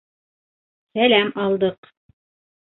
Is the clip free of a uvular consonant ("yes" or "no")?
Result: no